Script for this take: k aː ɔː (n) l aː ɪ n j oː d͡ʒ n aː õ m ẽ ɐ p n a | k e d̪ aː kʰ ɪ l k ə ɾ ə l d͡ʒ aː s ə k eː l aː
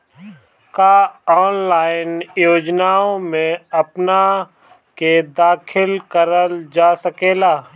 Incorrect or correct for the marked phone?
correct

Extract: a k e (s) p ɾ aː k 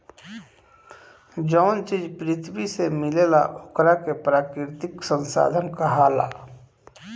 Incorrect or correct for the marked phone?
incorrect: none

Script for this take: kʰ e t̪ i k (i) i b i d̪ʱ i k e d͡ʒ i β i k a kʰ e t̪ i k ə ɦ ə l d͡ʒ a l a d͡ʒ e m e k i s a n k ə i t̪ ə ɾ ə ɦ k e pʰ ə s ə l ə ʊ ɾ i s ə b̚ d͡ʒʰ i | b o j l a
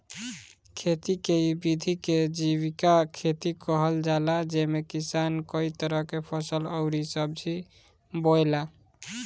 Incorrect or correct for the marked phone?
incorrect: e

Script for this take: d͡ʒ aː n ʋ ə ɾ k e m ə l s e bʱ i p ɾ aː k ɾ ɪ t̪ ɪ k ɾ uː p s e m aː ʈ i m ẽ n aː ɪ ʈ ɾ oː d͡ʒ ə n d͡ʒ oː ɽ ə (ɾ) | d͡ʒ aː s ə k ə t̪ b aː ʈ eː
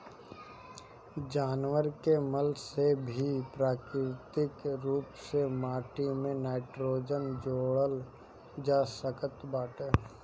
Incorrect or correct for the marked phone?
incorrect: l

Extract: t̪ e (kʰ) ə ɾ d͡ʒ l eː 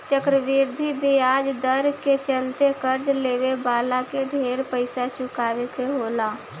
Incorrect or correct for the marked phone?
incorrect: k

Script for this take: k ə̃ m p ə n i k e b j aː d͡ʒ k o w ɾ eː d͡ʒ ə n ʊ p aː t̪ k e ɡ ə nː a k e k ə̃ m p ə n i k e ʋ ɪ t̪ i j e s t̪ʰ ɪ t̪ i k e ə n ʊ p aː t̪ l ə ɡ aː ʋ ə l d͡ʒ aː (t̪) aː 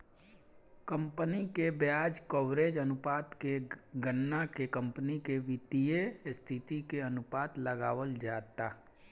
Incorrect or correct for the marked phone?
correct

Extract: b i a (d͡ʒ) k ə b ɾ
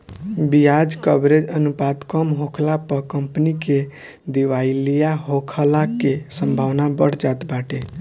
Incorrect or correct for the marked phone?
correct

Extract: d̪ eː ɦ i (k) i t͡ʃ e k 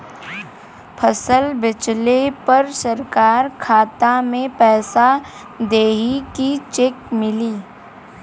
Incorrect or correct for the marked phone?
correct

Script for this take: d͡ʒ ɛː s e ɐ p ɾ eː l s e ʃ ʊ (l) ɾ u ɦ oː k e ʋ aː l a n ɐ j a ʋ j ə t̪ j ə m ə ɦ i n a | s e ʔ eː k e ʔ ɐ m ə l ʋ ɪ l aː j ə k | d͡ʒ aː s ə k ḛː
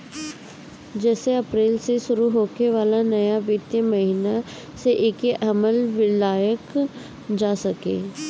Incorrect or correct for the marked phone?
incorrect: none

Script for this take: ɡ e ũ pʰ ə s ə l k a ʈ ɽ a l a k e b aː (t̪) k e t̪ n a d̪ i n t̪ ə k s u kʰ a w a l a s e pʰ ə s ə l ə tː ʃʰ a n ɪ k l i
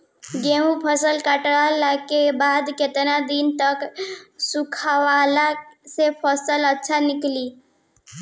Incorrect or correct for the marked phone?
incorrect: d̪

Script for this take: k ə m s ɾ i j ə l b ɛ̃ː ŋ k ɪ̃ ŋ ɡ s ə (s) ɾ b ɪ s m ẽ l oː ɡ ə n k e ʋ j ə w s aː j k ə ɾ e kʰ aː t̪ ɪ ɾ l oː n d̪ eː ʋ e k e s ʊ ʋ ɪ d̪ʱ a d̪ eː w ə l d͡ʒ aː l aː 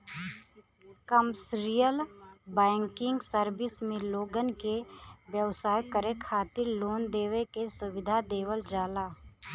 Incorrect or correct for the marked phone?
incorrect: none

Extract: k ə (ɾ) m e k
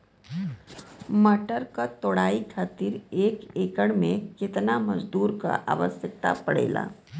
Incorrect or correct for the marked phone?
incorrect: ɽ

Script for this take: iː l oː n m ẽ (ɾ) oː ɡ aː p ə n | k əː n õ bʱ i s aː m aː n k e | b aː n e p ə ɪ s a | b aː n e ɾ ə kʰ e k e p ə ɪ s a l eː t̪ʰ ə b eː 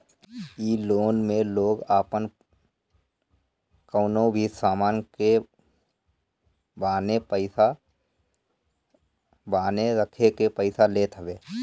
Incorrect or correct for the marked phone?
incorrect: l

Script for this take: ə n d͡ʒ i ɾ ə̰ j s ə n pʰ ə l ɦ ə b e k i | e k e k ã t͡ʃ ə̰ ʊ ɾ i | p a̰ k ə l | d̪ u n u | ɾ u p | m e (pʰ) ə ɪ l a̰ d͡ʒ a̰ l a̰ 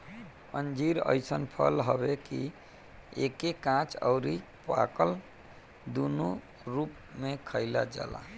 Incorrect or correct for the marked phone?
incorrect: kʰ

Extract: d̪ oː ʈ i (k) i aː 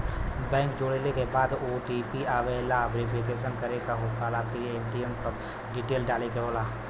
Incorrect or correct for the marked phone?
incorrect: p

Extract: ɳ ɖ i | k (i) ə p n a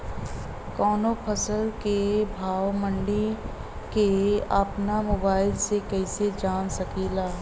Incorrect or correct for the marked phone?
incorrect: e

